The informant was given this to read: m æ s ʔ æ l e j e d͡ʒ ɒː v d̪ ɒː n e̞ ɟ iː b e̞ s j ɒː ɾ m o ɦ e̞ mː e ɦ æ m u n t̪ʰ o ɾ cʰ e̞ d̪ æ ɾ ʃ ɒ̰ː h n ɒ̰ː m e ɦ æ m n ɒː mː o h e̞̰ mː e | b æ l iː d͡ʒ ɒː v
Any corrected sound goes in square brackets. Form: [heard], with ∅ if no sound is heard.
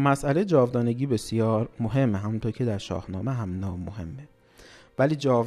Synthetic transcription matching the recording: m æ s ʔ æ l e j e d͡ʒ ɒː v d̪ ɒː n e̞ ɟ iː b e̞ s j ɒː ɾ m o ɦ e̞ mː e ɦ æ m u n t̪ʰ o ɾ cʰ e̞ d̪ æ ɾ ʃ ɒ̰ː h n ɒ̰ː m e ɦ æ m n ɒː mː o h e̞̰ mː e | [v] æ l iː d͡ʒ ɒː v